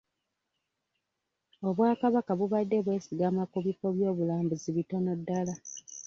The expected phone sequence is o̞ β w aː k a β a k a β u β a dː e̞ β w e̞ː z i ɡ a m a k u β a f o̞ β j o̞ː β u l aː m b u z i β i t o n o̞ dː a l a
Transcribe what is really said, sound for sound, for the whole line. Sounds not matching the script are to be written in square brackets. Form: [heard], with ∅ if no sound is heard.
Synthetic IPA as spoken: o̞ β w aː k a β a k a β u β a dː e̞ β w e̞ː [s] i ɡ a m a k u β [i] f o̞ β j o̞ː β u l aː m b u z i β i t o n o̞ dː a l a